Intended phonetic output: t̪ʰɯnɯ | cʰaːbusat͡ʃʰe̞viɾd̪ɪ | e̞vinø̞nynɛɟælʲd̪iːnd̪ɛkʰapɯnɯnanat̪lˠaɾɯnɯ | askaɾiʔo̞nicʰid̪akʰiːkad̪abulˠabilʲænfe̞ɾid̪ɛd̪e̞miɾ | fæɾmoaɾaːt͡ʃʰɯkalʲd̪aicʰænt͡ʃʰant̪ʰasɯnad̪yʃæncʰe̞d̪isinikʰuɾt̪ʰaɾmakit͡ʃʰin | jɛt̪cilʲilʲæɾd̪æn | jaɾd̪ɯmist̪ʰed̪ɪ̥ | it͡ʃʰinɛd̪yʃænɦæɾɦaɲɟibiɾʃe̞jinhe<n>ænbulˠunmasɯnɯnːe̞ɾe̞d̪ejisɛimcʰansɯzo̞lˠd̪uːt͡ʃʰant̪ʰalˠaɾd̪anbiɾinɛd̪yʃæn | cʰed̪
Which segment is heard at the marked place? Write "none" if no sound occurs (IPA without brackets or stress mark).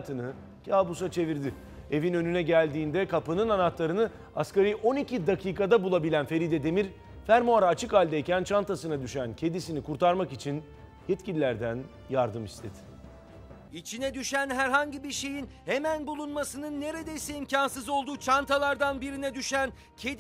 m